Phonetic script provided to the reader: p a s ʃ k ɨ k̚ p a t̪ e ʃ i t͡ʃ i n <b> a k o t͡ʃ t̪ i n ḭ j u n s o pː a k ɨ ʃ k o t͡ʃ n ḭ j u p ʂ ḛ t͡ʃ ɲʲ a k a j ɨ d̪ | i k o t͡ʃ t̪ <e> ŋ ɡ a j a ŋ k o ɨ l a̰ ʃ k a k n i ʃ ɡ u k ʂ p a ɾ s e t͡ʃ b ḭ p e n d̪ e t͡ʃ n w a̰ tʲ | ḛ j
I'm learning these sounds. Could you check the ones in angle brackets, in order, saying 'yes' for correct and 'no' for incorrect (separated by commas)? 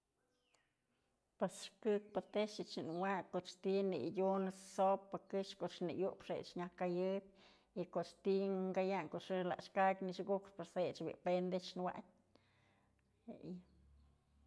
no, no